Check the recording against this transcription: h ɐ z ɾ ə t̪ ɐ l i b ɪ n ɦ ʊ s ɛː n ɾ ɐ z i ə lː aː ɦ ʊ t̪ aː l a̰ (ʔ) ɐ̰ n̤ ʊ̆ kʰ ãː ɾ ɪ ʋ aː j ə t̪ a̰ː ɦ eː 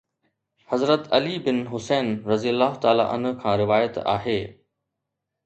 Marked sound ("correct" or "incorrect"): correct